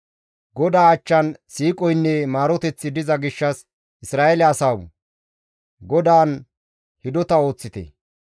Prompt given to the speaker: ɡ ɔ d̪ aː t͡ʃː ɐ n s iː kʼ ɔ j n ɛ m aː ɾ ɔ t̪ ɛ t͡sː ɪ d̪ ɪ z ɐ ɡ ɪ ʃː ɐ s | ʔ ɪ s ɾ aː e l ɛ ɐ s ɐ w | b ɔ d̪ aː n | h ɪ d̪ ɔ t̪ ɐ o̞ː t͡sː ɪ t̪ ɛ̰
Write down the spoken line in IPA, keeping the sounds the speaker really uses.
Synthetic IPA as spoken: ɡ ɔ d̪ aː t͡ʃː ɐ n s iː kʼ ɔ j nː ɛ m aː ɾ ɔ t̪ ɛ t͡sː ɪ d̪ ɪ z ɐ ɡ ɪ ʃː ɐ s | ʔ ɪ s ɾ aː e l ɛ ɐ s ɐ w | ɡ ɔ d̪ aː n | h ɪ d̪ ɔ t̪ ɐ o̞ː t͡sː ɪ t̪ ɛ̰